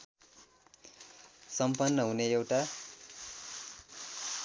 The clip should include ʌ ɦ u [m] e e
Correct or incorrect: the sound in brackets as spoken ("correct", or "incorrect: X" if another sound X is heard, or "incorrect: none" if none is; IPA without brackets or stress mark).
incorrect: n